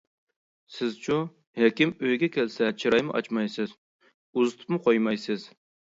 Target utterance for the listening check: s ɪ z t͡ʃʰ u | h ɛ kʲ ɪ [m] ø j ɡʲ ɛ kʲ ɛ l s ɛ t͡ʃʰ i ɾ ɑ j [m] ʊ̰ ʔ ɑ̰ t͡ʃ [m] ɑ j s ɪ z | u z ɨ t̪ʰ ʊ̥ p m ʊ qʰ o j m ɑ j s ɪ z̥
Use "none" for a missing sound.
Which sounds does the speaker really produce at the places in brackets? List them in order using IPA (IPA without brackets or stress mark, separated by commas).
m, m, m